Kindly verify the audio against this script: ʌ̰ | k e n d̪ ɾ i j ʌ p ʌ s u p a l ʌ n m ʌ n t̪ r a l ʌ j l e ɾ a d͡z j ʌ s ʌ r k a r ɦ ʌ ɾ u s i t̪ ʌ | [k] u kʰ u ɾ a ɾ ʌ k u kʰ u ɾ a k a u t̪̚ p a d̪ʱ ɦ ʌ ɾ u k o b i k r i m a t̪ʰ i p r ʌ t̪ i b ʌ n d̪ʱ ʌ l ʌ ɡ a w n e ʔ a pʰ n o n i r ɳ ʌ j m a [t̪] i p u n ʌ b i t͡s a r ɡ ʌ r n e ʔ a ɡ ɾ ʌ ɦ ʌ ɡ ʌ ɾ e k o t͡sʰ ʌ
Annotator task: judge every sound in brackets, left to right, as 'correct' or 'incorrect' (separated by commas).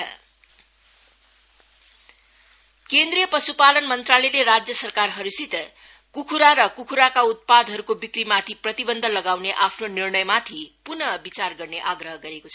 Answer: correct, incorrect